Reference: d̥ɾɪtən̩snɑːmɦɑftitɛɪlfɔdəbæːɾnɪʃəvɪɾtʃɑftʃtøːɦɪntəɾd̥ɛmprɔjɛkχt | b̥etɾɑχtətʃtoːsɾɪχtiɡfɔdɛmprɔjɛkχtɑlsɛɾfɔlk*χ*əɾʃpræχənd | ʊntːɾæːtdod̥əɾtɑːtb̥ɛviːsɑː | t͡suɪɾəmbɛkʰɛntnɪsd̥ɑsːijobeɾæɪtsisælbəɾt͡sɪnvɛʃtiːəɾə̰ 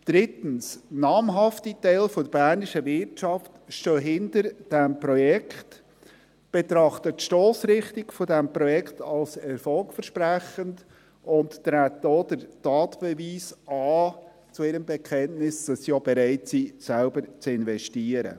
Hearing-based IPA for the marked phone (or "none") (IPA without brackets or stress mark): f